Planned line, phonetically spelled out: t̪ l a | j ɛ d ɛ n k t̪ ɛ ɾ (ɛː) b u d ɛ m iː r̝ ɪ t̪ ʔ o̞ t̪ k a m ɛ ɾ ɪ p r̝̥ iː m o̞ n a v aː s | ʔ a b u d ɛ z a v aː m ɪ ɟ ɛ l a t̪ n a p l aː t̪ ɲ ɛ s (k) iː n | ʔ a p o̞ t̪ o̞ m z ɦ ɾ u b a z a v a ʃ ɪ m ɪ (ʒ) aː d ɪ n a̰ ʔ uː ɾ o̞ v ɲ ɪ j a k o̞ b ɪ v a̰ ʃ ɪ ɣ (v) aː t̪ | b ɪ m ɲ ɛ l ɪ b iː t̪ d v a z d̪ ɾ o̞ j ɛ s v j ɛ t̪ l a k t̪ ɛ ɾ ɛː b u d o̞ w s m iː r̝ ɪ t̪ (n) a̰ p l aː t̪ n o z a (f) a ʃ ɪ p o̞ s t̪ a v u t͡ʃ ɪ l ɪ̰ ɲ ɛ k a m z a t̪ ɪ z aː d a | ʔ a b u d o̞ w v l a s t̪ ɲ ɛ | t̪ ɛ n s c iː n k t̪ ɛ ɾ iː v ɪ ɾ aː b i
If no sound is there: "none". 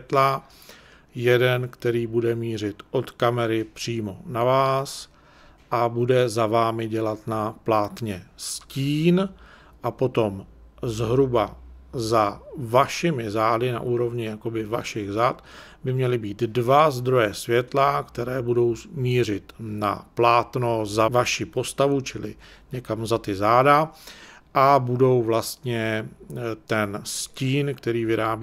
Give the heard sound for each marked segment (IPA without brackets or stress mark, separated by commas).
iː, c, z, z, n, v